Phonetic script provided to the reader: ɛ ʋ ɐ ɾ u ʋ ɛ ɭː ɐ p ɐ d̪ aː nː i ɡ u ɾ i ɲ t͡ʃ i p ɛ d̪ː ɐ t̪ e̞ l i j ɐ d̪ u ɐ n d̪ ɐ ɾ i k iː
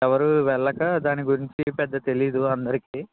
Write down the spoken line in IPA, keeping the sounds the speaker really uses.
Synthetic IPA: ɛ ʋ ɐ ɾ u ʋ ɛ ɭː ɐ k ɐ d̪ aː n i ɡ u ɾ i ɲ t͡ʃ i p ɛ d̪ː ɐ t̪ e̞ l i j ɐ d̪ u ɐ n d̪ ɐ ɾ i k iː

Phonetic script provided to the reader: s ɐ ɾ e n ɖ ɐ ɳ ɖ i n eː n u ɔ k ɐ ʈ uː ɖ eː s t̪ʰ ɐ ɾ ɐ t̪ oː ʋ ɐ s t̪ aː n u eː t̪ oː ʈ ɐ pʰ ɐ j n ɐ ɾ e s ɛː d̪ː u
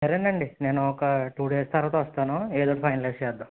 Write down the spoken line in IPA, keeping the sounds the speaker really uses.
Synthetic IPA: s ɐ ɾ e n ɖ ɐ ɳ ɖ i n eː n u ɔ k ɐ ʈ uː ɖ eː s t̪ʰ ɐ ɾ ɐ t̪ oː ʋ ɐ s t̪ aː n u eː d̪ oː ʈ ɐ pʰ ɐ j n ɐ l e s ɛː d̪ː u

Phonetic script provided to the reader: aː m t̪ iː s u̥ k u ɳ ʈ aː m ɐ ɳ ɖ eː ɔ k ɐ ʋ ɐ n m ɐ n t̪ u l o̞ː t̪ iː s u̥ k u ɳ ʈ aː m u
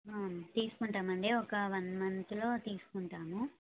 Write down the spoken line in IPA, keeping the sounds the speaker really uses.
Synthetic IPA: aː m t̪ iː s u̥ k u ɳ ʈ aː m ɐ ɳ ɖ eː ɔ k ɐ ʋ ɐ n m ɐ n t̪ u l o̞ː t̪ iː s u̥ k u ɳ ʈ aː m u

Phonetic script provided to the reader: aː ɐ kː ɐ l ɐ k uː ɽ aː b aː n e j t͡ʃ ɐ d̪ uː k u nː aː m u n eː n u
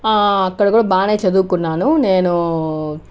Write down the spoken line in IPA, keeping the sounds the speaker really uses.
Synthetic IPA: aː ɐ kː ɐ ɽ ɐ k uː ɽ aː b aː n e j t͡ʃ ɐ d̪ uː k u nː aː n u n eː n u

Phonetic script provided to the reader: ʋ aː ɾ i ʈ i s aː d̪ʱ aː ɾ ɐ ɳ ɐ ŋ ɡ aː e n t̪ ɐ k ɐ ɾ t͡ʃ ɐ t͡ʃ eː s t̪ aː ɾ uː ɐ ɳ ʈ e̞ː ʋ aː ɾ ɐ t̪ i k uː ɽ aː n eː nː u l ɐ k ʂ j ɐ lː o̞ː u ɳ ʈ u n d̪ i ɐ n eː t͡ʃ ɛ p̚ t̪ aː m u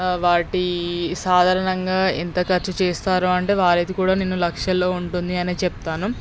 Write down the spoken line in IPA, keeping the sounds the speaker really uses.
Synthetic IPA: ʋ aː ɾ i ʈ i s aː d̪ʱ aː ɾ ɐ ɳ ɐ ŋ ɡ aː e n t̪ ɐ k ɐ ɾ t͡ʃ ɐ t͡ʃ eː s t̪ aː ɾ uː ɐ ɳ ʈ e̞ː ʋ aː ɾ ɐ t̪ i k uː ɽ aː n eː nː u l ɐ k ʂ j ɐ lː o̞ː u ɳ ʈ u n d̪ i ɐ n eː t͡ʃ ɛ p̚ t̪ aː n u

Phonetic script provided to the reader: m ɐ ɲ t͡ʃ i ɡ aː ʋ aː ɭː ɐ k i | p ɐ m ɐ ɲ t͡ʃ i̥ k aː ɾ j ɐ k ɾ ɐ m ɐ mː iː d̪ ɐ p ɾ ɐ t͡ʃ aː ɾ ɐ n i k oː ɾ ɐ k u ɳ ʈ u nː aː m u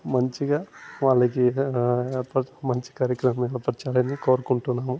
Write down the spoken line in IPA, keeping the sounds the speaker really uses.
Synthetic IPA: m ɐ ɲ t͡ʃ i ɡ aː ʋ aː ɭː ɐ k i | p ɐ m ɐ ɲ t͡ʃ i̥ k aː ɾ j ɐ k ɾ ɐ m ɐ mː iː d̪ ɐ p ɾ ɐ t͡ʃ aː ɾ ɐ n i k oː ɾ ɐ k u ɳ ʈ u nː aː m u

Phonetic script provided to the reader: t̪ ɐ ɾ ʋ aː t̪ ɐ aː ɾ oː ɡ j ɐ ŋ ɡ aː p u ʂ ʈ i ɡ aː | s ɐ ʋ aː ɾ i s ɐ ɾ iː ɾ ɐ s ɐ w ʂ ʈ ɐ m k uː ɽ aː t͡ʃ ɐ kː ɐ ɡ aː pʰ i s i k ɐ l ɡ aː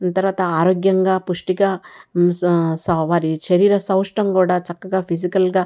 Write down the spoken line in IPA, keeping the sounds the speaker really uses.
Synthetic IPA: t̪ ɐ ɾ ʋ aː t̪ ɐ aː ɾ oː ɡ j ɐ ŋ ɡ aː p u ʂ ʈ i ɡ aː | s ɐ ʋ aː ɾ i ʃ ɐ ɾ iː ɾ ɐ s ɐ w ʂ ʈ ɐ m k uː ɽ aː t͡ʃ ɐ kː ɐ ɡ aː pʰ i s i k ɐ l ɡ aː

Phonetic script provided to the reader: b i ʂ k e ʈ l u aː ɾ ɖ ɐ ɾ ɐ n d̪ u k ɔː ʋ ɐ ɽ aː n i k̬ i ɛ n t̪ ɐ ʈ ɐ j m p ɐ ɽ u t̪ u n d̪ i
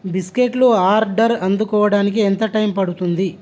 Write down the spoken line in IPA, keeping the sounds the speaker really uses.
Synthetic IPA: b i s k e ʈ l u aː ɾ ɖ ɐ ɾ ɐ n d̪ u k ɔː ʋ ɐ ɽ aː n i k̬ i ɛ n t̪ ɐ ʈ ɐ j m p ɐ ɽ u t̪ u n d̪ i

